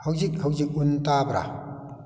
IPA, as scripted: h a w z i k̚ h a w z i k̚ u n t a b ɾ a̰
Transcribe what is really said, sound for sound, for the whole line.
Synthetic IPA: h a w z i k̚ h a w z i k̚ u n t a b ɾ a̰

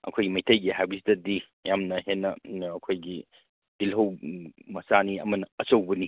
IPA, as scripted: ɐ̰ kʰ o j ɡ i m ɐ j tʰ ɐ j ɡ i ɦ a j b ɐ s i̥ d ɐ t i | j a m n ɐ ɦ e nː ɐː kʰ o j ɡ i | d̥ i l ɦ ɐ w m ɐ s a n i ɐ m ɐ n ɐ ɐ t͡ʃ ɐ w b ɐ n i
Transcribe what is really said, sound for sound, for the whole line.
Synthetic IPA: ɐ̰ kʰ o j ɡ i m ɐ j tʰ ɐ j ɡ i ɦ a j b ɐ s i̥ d ɐ d i | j a m n ɐ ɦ e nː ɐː kʰ o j ɡ i | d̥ i l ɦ ɐ w m ɐ s a n i ɐ m ɐ n ɐ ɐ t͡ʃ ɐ w b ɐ n i

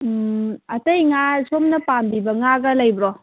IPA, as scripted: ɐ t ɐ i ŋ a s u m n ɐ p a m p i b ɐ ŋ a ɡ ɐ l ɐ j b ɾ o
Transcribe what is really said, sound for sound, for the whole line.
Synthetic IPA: ɐ t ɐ j ŋ a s o m n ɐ p a m b i b ɐ ŋ a ɡ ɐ l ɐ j b ɾ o

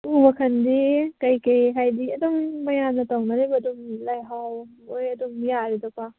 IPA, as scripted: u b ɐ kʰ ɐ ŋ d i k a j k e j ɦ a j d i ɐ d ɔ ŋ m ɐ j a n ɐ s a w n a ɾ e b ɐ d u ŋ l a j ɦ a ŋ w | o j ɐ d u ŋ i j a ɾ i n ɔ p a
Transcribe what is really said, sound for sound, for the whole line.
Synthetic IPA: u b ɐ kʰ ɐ n d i k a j k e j ɦ a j d i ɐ d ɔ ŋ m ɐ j a n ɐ t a w n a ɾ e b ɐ d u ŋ l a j ɦ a w | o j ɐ d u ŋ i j a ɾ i d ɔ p a

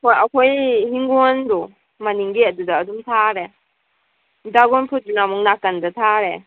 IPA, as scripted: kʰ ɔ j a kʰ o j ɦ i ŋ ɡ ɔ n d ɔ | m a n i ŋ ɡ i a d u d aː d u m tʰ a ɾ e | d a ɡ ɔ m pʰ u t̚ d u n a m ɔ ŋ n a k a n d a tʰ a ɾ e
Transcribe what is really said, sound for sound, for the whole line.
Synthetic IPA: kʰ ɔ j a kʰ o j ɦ i ŋ ɡ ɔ n d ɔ | m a n i ŋ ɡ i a d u d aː d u m tʰ a ɾ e | d a ɡ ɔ n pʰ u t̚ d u n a m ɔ ŋ n a k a n d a tʰ a ɾ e

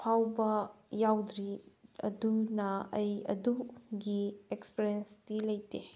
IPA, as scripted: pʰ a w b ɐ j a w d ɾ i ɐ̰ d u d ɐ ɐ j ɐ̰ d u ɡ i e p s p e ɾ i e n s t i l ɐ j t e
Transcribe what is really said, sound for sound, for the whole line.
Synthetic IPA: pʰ a w b ɐ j a w d ɾ i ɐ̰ d u n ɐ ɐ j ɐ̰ d u ɡ i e k s p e ɾ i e n s t i l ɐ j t e

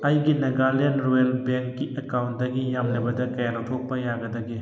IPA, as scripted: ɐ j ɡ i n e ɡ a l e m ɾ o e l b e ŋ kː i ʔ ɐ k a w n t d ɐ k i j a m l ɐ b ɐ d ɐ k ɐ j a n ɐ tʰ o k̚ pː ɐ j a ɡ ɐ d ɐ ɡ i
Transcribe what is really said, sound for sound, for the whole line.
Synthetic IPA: ɐ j ɡ i n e ɡ a l e n ɾ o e l b e ŋ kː i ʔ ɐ k a w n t d ɐ ɡ i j a m l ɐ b ɐ d ɐ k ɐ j a n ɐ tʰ o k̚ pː ɐ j a ɡ ɐ d ɐ ɡ i

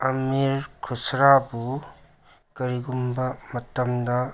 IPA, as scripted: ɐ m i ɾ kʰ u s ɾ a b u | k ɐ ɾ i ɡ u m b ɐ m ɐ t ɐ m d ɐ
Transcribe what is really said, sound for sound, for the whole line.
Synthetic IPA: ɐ m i ɾ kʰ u s ɾ a b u | k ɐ ɾ i ɡ u m b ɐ m ɐ t ɐ m d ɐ

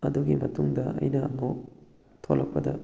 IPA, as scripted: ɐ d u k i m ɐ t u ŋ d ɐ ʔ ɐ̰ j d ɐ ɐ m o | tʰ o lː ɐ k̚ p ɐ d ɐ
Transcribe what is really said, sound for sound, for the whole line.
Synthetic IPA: ɐ d u ɡ i m ɐ t u ŋ d ɐ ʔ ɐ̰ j n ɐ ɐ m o | tʰ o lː ɐ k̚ p ɐ d ɐ

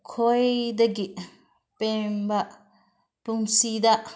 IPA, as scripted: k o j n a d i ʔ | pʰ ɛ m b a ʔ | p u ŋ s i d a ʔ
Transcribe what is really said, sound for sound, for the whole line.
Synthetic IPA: kʰ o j d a ɡ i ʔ | p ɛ m b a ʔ | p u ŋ s i d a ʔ

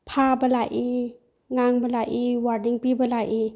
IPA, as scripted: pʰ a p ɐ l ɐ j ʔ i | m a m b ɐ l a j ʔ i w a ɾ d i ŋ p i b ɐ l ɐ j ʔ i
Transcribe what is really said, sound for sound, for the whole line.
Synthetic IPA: pʰ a b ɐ l a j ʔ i | ŋ a ŋ b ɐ l a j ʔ i w a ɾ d i ŋ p i b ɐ l a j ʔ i

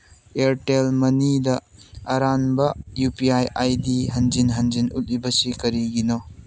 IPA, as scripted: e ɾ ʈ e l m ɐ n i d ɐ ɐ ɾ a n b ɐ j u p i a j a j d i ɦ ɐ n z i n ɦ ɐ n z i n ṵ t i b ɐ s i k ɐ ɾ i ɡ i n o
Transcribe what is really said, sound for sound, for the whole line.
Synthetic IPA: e ɾ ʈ e l m ɐ n i d ɐ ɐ ɾ a n b ɐ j u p i a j a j d i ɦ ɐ n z i n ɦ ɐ n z i n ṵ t i b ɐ s i k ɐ ɾ i ɡ i n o

